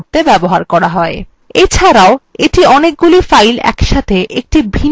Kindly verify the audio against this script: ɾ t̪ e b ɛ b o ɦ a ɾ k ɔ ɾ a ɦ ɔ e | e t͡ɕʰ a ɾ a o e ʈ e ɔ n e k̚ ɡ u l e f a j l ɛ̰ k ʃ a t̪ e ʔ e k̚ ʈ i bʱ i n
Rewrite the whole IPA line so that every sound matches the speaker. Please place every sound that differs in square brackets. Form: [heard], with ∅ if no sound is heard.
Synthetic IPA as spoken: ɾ t̪ e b ɛ b o ɦ a ɾ k ɔ ɾ a ɦ ɔ e | e t͡ɕʰ a ɾ a o e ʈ [i] ɔ n e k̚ ɡ u l [i] f a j l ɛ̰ k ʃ a [t̪ʰ] e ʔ e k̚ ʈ i bʱ i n